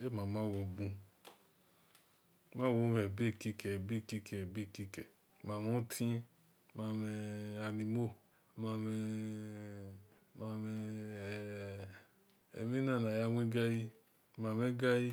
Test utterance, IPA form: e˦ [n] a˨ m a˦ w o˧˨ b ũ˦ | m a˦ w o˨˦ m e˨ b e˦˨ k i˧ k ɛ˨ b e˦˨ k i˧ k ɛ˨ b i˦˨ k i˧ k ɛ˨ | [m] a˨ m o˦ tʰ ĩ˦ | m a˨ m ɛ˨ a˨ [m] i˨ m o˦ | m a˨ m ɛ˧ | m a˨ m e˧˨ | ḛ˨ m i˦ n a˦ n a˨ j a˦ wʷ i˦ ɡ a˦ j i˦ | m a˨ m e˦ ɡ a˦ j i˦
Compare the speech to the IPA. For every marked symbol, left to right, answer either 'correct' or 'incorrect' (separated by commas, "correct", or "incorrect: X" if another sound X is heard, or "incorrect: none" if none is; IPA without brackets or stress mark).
incorrect: m, correct, incorrect: n